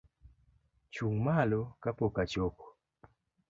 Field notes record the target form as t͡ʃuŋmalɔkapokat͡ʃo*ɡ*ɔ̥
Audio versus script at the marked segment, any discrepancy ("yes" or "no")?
yes